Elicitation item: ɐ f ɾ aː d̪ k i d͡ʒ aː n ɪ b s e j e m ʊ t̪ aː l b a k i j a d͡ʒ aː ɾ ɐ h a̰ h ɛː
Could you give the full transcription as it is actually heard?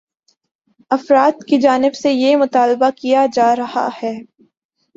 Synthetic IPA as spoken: ɐ f ɾ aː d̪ k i d͡ʒ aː n ɪ b s e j e m ʊ t̪ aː l b a k i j a d͡ʒ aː ɾ ɐ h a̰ h ɛː